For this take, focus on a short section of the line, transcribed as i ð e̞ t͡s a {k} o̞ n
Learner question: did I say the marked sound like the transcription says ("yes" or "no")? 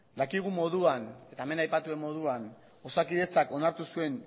yes